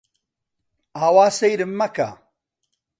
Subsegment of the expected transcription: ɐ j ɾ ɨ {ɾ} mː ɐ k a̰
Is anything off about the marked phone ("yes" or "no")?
yes